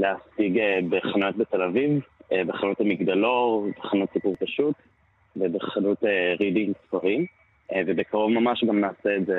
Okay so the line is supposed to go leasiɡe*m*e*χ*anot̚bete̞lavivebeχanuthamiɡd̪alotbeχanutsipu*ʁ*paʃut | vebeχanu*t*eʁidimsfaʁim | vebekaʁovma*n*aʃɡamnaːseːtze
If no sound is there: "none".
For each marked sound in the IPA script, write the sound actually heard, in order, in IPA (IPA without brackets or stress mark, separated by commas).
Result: b, χ, ʁ, t, m